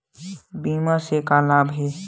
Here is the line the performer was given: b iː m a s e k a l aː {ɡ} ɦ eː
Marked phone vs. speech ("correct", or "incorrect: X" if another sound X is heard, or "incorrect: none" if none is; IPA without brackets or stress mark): incorrect: b